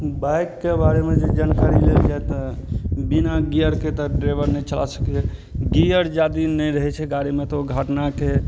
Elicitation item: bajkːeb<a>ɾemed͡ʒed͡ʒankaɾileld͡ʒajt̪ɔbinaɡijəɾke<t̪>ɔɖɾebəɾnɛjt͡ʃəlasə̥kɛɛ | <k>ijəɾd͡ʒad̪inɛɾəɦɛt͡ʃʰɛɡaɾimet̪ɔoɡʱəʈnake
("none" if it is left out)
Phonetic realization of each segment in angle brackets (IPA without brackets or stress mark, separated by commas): a, t̪, ɡ